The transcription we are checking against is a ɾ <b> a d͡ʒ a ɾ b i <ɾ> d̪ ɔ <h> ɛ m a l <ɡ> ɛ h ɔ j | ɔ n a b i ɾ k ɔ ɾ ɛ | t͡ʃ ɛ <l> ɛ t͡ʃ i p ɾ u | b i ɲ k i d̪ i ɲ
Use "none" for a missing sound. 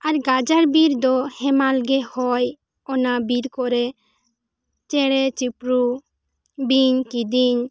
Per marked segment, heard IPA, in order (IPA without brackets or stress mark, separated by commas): ɡ, ɾ, h, ɡ, ɽ